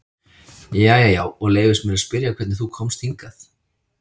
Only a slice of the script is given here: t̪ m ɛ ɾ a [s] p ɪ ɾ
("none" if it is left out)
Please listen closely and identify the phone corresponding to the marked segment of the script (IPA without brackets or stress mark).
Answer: s